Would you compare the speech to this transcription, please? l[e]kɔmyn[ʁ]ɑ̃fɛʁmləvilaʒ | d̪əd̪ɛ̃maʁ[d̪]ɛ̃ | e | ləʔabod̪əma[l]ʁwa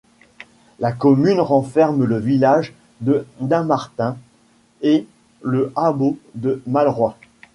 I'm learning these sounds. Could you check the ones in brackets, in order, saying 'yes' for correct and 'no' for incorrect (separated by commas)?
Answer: no, yes, no, yes